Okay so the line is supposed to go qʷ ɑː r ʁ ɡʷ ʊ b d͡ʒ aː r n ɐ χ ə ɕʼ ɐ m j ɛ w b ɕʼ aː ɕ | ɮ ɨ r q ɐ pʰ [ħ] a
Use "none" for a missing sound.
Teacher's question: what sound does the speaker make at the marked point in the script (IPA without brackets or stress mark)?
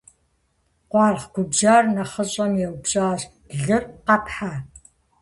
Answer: ħ